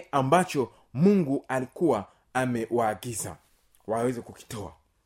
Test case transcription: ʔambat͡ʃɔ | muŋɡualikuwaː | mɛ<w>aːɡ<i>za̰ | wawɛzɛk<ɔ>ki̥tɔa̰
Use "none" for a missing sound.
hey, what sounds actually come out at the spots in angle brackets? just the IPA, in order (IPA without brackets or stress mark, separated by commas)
w, i, u